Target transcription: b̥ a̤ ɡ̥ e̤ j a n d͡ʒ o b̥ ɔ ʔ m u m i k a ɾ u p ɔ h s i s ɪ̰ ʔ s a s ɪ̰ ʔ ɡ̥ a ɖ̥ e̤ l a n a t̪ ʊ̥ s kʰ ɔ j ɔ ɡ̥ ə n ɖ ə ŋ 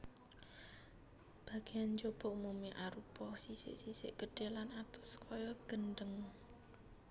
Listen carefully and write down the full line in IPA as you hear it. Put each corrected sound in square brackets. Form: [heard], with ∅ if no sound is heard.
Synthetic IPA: b̥ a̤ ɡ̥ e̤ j a n d͡ʒ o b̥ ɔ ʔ m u m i [ʔ] a ɾ u p ɔ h s i s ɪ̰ ʔ s [i] s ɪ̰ ʔ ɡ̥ [ə] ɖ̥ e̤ l a n a t̪ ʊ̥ s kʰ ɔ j ɔ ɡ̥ ə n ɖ ə ŋ

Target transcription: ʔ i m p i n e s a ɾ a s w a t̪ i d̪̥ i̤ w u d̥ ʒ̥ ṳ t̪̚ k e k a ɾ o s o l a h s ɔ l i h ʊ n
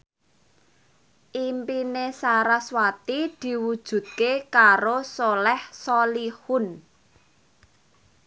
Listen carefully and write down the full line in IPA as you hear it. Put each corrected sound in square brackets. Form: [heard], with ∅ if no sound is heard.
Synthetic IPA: ʔ i m p i n e s a ɾ a s w a t̪ i d̪̥ i̤ w u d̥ ʒ̥ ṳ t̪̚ k e k a ɾ o s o l [ɛ] h s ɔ l i h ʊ n

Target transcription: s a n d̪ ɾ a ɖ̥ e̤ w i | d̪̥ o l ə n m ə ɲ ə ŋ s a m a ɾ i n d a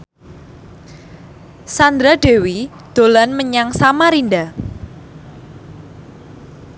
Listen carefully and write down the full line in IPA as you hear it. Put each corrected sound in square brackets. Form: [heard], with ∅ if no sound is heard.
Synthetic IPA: s a n d̪ ɾ a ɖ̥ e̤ w i | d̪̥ o l [a] n m ə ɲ [a] ŋ s a m a ɾ i n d a

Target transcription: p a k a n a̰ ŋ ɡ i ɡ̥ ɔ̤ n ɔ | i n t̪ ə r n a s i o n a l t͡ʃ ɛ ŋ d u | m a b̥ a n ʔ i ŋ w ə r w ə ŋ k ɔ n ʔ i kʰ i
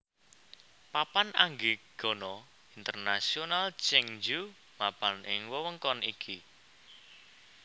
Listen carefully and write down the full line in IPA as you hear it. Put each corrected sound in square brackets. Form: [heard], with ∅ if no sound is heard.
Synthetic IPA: p a [p] a n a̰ ŋ ɡ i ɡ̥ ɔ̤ n ɔ | i n t̪ ə r n a s i o n a l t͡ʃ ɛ ŋ [d͡ʒ] u | m a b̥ a n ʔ [ɪ] ŋ w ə [∅] w ə ŋ k ɔ n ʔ i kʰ i

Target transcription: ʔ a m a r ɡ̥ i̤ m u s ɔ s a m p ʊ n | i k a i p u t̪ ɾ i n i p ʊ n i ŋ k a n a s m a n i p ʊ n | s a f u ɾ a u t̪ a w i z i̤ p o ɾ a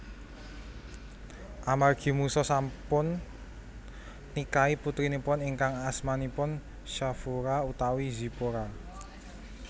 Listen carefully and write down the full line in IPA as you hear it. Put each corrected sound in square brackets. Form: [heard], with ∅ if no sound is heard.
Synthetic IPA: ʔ a m a r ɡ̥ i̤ m u s ɔ s a m p ʊ n | i k a i p u t̪ ɾ i n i p ʊ n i ŋ k a [ŋ] a s m a n i p ʊ n | [ʃ] a f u ɾ a u t̪ a w i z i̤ p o ɾ a

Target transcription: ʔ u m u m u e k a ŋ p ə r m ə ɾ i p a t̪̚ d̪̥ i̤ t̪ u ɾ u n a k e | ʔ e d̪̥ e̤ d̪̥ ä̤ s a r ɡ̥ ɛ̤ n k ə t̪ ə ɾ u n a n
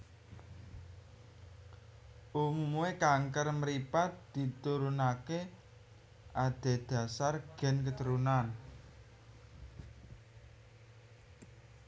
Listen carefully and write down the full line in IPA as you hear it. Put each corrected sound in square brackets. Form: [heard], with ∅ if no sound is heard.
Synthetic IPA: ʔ u m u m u e k a ŋ [k] ə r m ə ɾ i p a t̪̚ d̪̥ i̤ t̪ u ɾ u n a k e | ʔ [a] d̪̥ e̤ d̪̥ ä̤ s a r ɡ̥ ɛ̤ n k ə t̪ ə ɾ u n a n

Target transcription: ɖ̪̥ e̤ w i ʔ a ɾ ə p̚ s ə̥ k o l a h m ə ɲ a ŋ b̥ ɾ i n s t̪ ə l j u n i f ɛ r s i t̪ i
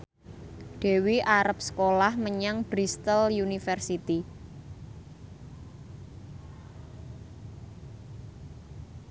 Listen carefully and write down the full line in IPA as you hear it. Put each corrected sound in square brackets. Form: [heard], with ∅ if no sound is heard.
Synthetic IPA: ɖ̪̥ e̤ w i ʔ a ɾ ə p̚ s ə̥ k o l a h m ə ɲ a ŋ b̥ ɾ i [∅] s t̪ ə l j u n i f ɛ r s i t̪ i

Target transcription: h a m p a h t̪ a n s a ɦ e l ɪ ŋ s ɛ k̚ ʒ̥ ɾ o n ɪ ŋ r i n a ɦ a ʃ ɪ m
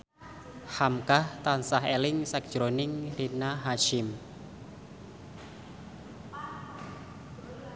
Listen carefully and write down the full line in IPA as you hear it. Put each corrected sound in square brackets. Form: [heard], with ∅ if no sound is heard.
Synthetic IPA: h a m [k] a h t̪ a n s a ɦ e l ɪ ŋ s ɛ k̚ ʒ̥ ɾ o n ɪ ŋ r i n a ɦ a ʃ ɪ m

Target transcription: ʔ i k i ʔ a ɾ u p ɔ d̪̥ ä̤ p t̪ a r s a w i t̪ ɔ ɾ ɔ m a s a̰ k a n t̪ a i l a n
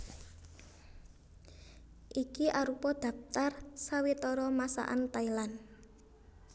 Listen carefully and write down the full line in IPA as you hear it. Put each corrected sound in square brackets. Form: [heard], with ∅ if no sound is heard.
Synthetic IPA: ʔ i k i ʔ a ɾ u p ɔ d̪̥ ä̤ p t̪ a r s a w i t̪ ɔ ɾ ɔ m a s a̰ [ʔ] a n t̪ a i l a n

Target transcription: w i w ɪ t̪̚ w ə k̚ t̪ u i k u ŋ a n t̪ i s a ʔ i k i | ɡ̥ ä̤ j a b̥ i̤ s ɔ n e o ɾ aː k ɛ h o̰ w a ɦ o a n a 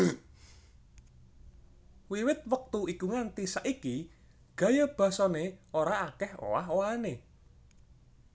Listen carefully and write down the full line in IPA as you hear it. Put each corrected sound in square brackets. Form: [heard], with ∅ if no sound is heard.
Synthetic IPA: w i w ɪ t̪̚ w ə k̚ t̪ u i k u ŋ a n t̪ i s a ʔ i k i | ɡ̥ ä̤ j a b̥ [a̤] s ɔ n e o ɾ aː k ɛ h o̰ w a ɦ o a n [e]

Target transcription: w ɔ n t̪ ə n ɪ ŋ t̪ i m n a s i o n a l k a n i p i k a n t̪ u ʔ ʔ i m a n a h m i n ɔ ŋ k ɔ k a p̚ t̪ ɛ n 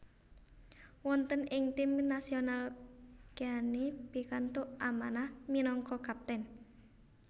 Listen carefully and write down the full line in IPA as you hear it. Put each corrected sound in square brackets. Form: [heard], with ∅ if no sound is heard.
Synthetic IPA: w ɔ n t̪ ə n ɪ ŋ t̪ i m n a s i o n a l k a n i p i k a n t̪ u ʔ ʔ [a] m a n a h m i n ɔ ŋ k ɔ k a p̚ t̪ ɛ n

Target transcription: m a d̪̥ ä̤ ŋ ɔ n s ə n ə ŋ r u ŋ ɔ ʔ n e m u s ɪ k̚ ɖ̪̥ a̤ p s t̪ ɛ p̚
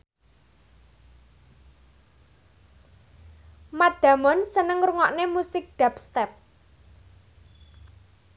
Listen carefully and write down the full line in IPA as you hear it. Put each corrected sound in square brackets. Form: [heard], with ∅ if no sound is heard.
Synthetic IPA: m a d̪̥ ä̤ [m] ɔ n s ə n ə ŋ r u ŋ ɔ ʔ n e m u s ɪ k̚ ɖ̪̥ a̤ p s t̪ ɛ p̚

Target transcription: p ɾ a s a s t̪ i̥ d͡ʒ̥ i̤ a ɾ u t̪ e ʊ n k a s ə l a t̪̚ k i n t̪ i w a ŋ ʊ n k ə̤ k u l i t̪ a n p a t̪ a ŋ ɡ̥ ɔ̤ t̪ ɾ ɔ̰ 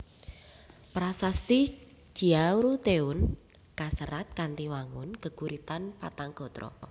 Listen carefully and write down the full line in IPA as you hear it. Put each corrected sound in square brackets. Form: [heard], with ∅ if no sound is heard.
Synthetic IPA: p ɾ a s a s t̪ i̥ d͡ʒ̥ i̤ a ɾ u t̪ e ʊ n k a s ə [ɾ] a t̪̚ k [a] n t̪ i w a ŋ ʊ n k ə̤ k u [ɾ] i t̪ a n p a t̪ a ŋ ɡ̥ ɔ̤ t̪ ɾ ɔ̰

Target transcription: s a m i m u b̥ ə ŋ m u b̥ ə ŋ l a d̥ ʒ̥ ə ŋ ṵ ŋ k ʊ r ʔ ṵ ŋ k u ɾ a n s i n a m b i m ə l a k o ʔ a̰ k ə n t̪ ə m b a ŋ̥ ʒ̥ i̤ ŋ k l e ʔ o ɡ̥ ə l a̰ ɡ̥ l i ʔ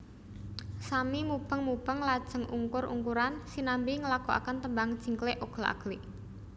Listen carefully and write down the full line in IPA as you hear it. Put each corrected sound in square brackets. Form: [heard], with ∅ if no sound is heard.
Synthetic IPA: s a m i m u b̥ ə ŋ m u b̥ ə ŋ l a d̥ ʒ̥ ə ŋ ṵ ŋ k ʊ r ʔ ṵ ŋ k u ɾ a n s i n a m b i [ŋ] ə l a k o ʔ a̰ k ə n t̪ ə m b a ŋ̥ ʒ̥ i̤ ŋ k l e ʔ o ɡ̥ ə l a̰ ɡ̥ l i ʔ

